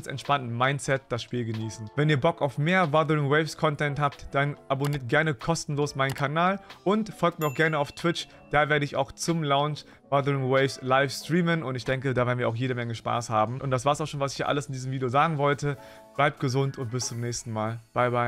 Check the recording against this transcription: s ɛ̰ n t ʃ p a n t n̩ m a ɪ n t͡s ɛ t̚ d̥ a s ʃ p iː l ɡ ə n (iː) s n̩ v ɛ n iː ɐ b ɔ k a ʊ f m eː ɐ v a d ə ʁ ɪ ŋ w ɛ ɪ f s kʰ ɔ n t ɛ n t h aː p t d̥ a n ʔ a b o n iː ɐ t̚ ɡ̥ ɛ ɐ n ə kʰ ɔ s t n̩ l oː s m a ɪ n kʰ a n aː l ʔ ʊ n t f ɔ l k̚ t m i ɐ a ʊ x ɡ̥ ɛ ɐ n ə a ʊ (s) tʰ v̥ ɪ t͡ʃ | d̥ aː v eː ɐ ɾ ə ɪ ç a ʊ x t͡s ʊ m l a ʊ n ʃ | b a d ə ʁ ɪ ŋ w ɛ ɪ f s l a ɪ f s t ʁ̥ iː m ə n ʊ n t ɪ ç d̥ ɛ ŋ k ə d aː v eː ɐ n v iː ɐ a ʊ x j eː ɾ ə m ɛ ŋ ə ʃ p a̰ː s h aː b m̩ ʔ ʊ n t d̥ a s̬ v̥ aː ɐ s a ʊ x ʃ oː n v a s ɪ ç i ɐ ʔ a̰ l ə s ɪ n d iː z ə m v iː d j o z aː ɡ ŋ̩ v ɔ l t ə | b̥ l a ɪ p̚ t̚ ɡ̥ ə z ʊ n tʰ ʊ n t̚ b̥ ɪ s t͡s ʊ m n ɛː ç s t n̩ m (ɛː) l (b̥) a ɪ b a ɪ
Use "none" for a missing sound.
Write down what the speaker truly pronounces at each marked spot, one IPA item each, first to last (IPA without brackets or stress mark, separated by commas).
iː, f, aː, b̥